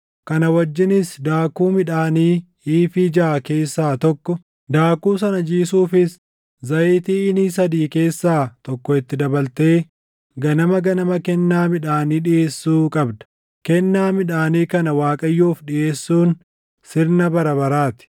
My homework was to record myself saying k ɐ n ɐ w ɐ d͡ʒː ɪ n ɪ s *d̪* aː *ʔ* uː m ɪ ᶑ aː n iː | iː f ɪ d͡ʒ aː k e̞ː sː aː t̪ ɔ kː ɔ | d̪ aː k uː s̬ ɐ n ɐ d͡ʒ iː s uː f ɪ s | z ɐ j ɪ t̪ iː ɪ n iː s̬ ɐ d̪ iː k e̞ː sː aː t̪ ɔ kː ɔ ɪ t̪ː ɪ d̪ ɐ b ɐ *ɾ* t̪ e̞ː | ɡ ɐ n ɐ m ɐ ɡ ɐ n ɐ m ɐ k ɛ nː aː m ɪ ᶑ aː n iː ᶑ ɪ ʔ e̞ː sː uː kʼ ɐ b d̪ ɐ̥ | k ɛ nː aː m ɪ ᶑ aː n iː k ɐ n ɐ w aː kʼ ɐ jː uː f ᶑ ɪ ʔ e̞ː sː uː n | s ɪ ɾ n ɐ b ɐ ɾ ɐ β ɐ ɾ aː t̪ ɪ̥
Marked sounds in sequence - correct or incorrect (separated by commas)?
correct, incorrect, incorrect